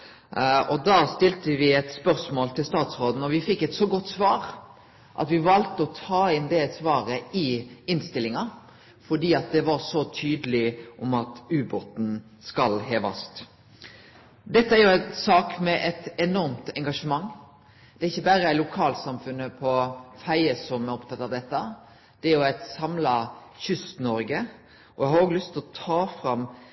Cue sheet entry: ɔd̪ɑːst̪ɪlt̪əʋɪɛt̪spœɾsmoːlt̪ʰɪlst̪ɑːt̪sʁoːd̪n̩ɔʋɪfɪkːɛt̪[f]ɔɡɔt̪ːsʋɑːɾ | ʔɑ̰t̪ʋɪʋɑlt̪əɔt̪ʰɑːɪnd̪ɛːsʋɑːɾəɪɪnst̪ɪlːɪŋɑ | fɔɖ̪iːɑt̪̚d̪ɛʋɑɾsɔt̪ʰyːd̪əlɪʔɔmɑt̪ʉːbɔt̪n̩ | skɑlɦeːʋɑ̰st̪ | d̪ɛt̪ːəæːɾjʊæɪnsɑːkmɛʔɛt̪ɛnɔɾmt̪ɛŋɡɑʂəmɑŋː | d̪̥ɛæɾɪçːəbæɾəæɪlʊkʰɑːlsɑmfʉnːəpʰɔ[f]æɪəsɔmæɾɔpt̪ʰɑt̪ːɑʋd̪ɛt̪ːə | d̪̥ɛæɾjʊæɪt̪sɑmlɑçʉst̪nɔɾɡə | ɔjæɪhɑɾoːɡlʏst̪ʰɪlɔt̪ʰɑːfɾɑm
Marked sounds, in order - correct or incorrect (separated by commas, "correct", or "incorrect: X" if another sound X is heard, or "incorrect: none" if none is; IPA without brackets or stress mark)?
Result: incorrect: s, correct